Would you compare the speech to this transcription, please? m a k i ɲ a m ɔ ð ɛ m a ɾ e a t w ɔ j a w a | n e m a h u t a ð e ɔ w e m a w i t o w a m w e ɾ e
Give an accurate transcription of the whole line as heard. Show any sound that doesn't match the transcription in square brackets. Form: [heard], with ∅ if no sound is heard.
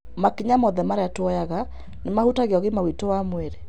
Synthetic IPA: m a k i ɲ a m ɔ ð ɛ m a ɾ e a t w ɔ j a [ɣ] a | n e m a h u t a [ɣ] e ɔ [ɣ] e m a w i t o w a m w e ɾ e